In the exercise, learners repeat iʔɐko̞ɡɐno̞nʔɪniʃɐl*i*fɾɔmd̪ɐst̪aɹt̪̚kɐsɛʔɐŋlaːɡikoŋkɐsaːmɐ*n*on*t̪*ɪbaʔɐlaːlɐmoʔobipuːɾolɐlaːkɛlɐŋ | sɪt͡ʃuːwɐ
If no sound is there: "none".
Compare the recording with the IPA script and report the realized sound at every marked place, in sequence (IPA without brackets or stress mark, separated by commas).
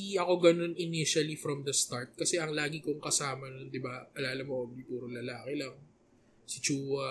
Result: i, n, d̪